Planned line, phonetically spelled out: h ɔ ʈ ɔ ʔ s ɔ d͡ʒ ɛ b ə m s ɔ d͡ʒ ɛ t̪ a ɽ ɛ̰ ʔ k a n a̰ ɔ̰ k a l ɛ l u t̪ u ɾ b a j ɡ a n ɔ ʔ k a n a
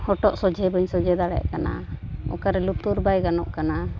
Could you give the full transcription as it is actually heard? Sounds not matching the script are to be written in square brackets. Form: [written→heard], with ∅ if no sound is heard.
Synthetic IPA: h ɔ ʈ ɔ ʔ s ɔ d͡ʒ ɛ b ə [m→ɲ] s ɔ d͡ʒ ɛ [t̪→d̪] a ɽ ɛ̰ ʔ k a n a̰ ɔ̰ k a [l→ɾ] ɛ l u t̪ u ɾ b a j ɡ a n ɔ ʔ k a n a